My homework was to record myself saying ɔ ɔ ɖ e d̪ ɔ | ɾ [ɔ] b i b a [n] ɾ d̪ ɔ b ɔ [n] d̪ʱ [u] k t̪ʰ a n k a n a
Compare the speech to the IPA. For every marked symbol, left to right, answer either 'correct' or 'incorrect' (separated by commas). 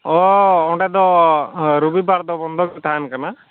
incorrect, incorrect, correct, incorrect